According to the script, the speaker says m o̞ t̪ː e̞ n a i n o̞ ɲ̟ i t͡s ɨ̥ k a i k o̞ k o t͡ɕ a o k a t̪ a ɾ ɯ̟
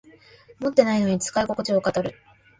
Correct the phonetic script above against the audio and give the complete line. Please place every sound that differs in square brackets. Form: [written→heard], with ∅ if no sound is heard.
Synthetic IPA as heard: m o̞ t̪ː e̞ n a i n o̞ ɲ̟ i t͡s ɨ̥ k a i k o̞ k o t͡ɕ [a→i] o k a t̪ a ɾ ɯ̟